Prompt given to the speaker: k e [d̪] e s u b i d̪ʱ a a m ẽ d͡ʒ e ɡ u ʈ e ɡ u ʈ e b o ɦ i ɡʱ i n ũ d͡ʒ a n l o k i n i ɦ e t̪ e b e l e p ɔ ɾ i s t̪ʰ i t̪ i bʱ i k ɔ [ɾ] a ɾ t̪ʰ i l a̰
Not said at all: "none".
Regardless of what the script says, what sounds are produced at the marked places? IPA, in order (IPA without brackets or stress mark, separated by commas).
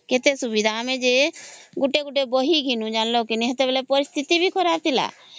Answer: t̪, ɾ